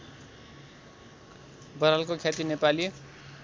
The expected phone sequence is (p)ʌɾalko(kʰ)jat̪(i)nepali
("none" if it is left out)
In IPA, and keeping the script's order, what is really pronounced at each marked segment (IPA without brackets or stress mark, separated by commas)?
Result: b, kʰ, i